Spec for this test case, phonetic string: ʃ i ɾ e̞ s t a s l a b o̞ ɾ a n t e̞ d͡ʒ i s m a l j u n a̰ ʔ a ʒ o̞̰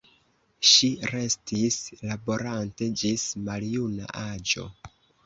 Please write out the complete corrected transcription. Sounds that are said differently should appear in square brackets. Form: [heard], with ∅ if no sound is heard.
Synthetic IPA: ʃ i ɾ e̞ s t [i] s l a b o̞ ɾ a n t e̞ d͡ʒ i s m a l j u n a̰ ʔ a [d͡ʒ] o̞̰